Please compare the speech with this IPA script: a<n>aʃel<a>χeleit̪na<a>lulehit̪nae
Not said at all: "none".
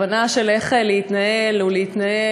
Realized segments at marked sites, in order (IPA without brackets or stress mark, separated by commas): n, e, e